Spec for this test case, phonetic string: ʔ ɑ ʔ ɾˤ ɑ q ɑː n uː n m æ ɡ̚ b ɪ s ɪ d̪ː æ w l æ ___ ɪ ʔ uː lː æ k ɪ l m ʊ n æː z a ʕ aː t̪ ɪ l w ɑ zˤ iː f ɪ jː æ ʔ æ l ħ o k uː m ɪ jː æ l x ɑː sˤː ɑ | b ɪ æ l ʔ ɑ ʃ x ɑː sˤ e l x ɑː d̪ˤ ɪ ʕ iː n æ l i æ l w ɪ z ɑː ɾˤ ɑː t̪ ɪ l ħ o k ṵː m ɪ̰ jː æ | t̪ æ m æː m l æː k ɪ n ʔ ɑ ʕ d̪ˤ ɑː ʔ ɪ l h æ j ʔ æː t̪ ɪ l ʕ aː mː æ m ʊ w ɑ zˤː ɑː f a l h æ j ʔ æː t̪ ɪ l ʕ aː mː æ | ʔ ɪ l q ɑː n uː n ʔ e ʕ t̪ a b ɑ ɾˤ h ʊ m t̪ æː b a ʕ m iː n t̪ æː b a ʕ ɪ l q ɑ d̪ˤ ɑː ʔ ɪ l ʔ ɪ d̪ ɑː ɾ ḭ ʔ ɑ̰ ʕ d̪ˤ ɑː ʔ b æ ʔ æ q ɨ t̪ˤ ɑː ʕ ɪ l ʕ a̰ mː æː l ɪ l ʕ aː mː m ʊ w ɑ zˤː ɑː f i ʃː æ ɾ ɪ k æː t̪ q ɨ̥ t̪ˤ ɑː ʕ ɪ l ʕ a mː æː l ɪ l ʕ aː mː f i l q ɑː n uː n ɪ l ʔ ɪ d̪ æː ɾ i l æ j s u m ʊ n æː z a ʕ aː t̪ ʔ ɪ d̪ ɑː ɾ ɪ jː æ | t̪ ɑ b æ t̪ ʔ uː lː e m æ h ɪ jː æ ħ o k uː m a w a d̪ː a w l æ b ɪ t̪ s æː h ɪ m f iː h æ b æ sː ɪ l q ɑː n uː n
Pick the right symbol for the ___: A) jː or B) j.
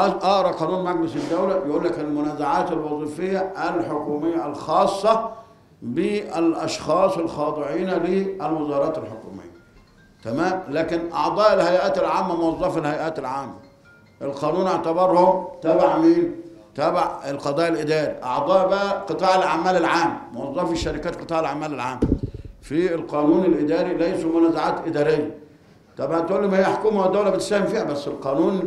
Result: B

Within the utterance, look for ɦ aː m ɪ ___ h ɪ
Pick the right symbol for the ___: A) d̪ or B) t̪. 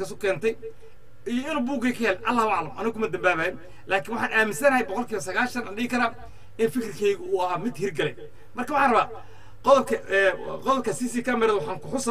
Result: A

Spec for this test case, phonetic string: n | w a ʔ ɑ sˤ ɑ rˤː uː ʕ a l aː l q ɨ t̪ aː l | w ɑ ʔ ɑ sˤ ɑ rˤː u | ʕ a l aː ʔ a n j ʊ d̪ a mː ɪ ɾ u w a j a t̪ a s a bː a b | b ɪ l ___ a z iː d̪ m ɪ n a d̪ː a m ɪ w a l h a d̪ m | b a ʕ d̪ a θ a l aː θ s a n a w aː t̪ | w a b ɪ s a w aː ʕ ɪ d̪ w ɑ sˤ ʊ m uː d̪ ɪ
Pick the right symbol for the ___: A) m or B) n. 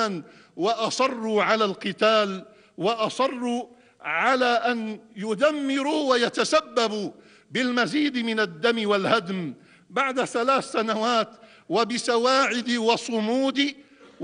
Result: A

